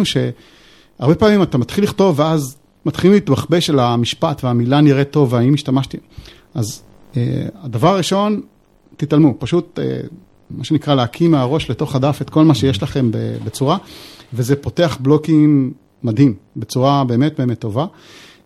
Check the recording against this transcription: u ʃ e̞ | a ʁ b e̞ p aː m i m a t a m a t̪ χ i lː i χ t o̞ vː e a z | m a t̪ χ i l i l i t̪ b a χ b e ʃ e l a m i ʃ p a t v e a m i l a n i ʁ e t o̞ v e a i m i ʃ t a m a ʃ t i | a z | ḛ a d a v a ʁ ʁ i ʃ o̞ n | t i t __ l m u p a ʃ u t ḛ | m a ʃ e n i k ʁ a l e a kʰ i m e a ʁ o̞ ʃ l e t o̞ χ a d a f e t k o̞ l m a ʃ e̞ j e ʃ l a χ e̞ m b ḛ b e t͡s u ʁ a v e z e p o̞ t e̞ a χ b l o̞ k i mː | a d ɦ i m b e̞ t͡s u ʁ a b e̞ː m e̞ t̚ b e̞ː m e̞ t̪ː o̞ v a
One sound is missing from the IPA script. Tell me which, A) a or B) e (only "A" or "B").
A